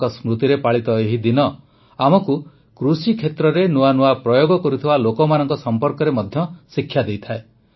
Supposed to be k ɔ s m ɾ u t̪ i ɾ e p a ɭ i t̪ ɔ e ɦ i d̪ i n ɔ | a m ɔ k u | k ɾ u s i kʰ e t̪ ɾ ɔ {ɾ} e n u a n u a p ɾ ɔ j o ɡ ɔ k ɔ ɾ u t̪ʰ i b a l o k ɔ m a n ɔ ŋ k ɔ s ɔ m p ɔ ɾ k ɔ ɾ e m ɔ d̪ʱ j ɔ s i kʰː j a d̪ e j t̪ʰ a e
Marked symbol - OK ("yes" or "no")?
yes